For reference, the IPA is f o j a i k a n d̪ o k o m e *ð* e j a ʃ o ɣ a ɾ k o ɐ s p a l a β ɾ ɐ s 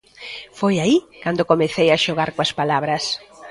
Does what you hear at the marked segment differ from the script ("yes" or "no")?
yes